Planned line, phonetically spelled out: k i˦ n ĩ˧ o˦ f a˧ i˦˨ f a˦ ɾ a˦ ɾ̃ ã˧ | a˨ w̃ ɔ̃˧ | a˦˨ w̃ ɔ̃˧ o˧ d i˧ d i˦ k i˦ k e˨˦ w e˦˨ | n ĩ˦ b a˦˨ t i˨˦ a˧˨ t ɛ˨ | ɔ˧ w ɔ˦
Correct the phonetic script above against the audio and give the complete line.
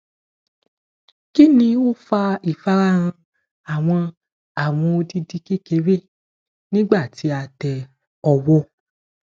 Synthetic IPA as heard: k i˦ n ĩ˧ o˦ f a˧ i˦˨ f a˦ ɾ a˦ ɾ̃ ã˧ | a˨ w̃ ɔ̃˧ | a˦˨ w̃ ɔ̃˧ o˧ d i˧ d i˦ k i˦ k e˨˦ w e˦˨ | n ĩ˦ ɡ͡b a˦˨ t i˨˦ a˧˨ t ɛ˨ | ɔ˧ w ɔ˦